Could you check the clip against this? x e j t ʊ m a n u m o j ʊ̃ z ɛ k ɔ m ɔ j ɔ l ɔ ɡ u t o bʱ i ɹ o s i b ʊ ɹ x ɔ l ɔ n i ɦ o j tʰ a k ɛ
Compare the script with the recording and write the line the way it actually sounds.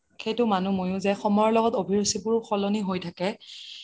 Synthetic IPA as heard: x e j t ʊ m a n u m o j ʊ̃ z ɛ x ɔ m ɔ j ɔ l ɔ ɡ ɔ t o bʱ i ɹ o s i b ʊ ɹ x ɔ l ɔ n i ɦ o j tʰ a k ɛ

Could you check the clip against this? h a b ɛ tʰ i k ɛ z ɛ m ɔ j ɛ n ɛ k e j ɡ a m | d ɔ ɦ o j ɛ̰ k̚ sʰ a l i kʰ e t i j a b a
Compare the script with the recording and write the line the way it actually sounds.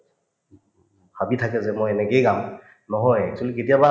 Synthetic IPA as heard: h a b i tʰ a k ɛ z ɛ m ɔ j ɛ n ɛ k e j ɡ a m | n ɔ ɦ ɔ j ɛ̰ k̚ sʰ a l i k e t i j a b a

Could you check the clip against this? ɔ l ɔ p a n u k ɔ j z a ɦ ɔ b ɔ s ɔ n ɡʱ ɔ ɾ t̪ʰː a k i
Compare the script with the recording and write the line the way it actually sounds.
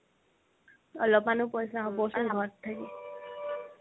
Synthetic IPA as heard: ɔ l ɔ p a n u p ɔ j s a ɦ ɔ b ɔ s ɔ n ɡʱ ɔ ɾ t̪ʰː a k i

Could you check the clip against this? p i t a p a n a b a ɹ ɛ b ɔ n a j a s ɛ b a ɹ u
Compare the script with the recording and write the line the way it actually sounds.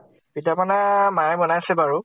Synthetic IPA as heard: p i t a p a n a m a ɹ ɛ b ɔ n a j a s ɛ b a ɹ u

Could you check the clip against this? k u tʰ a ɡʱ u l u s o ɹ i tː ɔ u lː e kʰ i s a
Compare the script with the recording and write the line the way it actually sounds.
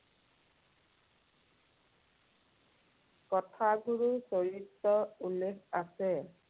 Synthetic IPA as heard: k ɔ tʰ a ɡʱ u ɹ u s o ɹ i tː ɔ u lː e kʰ a s ɛ

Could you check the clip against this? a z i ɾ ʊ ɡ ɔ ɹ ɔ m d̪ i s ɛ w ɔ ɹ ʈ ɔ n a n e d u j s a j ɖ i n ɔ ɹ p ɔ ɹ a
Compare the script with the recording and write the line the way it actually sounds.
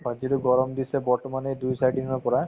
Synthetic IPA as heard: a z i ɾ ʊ ɡ ɔ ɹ ɔ m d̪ i s ɛ b ɔ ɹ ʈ ɔ m a n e d u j s a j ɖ i n ɔ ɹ p ɔ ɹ a

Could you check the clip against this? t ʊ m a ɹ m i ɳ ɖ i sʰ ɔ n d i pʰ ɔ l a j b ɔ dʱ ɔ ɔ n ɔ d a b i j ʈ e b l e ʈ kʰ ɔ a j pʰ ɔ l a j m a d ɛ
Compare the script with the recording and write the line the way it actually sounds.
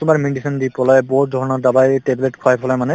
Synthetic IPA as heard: t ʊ m a ɹ m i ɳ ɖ i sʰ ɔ n d i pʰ ɔ l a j b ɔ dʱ ɔ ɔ n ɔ d a b a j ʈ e b l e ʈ kʰ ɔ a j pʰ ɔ l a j m a n ɛ

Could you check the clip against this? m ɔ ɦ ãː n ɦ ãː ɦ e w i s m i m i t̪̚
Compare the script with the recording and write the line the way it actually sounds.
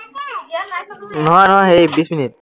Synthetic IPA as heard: n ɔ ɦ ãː n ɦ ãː ɦ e b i s m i n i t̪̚

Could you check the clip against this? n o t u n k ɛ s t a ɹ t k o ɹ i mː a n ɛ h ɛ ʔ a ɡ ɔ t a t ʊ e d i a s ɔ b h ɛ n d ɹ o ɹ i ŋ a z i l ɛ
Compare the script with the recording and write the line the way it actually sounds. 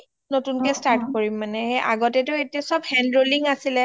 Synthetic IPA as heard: n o t u n k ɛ s t a ɹ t k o ɹ i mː a n ɛ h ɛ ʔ a ɡ ɔ t ɛ t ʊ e t i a s ɔ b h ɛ n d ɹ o l i ŋ a s i l ɛ

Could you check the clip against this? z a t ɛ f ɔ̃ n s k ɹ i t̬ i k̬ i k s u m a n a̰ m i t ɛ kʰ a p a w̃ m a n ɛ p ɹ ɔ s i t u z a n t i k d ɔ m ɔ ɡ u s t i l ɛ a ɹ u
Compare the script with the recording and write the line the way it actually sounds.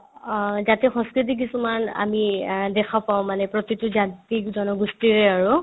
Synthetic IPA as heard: z a t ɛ x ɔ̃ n s k ɹ i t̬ i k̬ i s u m a n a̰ m i d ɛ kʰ a p a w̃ m a n ɛ p ɹ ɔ t i t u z a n t i k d ɔ n ɔ ɡ u s t i ɹ ɛ a ɹ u

